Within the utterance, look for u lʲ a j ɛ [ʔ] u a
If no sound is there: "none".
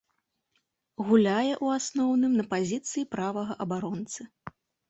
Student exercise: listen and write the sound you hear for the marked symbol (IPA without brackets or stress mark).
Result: ʔ